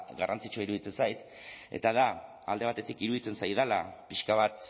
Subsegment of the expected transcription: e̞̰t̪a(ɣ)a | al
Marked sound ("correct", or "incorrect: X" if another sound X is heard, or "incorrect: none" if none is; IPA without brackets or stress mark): incorrect: ð